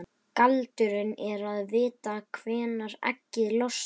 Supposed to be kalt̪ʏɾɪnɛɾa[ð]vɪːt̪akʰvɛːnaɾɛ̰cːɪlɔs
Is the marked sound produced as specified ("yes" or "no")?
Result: yes